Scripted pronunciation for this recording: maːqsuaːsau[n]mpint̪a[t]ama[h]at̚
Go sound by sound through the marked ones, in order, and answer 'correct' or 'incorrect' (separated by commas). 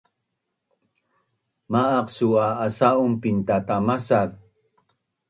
incorrect, correct, incorrect